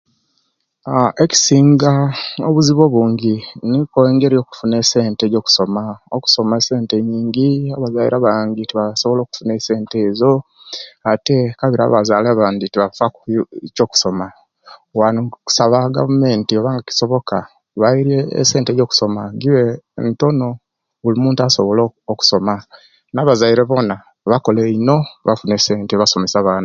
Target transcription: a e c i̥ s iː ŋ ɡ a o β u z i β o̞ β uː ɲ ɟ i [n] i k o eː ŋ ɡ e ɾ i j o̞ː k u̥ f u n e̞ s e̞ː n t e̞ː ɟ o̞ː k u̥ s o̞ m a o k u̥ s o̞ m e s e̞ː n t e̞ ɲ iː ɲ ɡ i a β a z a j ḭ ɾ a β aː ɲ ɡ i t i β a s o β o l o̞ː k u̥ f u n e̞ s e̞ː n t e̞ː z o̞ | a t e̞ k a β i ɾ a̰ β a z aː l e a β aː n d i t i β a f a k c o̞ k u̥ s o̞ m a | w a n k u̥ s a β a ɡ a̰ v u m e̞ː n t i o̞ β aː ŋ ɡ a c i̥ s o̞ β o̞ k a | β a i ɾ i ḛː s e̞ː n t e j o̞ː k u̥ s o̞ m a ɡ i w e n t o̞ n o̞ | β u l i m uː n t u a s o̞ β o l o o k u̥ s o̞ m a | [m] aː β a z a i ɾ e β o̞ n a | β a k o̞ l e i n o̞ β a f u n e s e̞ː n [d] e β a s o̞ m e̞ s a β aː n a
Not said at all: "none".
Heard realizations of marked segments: n, n, t

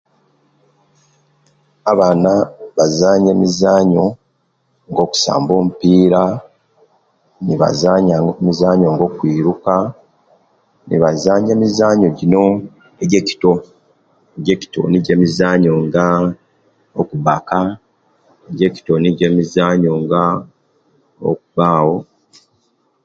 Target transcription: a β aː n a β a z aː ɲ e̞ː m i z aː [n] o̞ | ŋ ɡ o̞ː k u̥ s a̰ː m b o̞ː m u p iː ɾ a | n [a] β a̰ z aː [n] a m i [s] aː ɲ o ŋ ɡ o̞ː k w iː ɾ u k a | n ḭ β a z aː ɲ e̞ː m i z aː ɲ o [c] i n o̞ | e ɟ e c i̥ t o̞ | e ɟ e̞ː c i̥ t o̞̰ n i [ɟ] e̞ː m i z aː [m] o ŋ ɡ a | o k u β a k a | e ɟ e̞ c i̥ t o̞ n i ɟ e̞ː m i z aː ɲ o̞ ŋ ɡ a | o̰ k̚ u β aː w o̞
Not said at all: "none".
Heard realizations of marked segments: ɲ, i, ɲ, z, ɟ, ɟ, ɲ

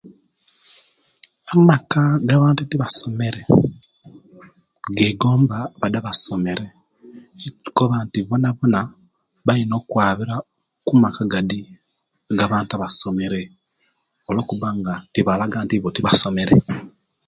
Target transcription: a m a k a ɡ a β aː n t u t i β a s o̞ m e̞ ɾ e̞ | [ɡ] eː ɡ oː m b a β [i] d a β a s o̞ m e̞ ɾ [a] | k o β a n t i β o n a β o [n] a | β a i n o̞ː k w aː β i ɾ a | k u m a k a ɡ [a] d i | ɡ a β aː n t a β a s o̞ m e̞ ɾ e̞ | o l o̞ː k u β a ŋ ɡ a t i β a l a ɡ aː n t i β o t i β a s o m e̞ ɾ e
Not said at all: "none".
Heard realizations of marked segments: ɡ, a, e, n, a

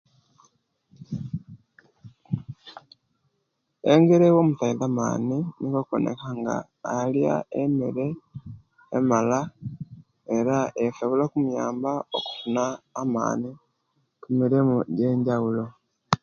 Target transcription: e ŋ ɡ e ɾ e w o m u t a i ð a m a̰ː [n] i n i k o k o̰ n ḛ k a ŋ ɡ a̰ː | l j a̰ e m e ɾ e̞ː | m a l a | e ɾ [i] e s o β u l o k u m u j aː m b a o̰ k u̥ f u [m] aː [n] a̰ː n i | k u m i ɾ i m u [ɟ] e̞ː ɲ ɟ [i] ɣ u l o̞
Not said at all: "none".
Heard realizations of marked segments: n, a, n, m, ɟ, a

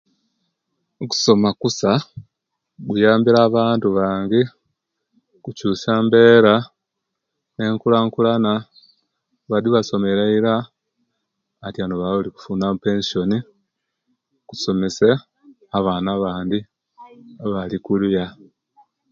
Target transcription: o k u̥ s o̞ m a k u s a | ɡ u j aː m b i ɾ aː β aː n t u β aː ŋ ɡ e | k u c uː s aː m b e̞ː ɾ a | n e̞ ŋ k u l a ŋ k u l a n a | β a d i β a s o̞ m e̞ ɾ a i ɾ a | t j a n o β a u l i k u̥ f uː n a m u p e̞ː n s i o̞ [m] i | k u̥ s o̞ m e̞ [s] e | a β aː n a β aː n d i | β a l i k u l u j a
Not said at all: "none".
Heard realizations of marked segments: n, s

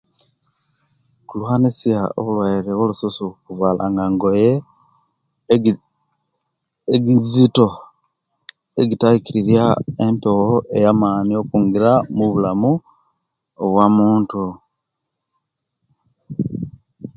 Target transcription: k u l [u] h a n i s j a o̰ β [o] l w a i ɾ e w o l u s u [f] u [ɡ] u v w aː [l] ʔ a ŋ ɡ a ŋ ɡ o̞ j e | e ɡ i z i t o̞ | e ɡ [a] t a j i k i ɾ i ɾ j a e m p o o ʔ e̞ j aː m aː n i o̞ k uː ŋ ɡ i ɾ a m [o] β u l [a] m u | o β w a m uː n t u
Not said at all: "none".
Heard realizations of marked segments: u, u, s, k, l, i, u, a

